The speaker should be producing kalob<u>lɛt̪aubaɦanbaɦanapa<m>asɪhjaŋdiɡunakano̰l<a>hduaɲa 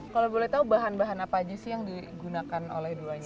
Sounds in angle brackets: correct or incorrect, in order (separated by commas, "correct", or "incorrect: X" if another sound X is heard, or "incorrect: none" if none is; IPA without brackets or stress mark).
incorrect: o, incorrect: ɲ, incorrect: ɛ